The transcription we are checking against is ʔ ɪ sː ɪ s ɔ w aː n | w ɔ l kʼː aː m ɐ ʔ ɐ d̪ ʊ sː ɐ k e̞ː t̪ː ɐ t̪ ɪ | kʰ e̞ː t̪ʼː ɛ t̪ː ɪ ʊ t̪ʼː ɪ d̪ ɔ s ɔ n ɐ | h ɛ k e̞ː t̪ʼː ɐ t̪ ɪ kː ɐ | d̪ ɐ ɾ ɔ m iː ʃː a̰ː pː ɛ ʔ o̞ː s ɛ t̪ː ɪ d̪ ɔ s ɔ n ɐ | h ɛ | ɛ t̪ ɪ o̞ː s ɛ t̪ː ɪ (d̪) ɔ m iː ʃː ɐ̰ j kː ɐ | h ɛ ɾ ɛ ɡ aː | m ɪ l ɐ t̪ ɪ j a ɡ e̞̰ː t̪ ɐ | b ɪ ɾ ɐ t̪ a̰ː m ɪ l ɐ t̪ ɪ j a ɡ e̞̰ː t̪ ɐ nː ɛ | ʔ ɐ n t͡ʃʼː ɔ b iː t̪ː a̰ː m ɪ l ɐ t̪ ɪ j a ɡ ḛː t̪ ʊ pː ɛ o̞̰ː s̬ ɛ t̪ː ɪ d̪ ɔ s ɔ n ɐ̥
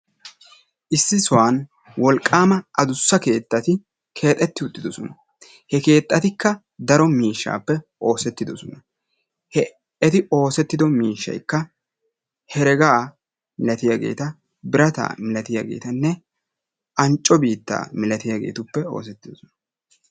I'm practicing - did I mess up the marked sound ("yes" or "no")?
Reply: no